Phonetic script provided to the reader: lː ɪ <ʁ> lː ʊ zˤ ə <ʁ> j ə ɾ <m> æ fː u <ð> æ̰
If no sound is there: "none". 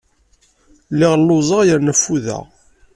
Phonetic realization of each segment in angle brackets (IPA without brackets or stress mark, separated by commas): ʁ, ʁ, n, ð